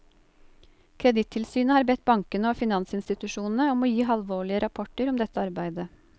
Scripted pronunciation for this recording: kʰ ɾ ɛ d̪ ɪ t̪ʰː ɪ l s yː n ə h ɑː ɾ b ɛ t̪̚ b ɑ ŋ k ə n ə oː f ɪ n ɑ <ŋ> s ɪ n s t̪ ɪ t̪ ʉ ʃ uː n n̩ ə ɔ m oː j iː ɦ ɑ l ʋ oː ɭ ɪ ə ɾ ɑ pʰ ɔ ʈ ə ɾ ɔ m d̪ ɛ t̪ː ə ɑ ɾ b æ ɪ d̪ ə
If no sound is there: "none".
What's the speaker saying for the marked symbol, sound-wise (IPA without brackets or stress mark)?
n